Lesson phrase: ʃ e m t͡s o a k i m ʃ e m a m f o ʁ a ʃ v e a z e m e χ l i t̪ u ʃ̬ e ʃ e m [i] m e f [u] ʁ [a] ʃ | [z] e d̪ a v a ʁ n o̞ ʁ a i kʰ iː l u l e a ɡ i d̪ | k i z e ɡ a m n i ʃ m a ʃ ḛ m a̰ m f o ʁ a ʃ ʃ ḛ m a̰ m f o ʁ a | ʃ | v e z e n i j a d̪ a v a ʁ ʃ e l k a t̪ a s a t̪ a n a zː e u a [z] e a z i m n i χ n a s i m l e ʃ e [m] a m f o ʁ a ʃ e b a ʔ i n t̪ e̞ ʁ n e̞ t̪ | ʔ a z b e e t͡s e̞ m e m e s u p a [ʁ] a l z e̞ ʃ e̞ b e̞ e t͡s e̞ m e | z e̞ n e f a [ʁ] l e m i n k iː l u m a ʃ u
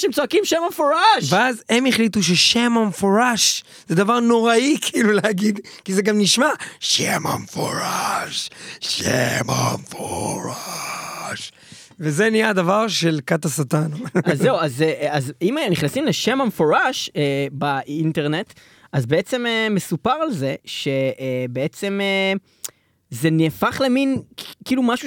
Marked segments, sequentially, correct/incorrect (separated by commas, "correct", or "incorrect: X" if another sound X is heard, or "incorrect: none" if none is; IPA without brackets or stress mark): incorrect: a, incorrect: o, correct, correct, correct, correct, correct, incorrect: χ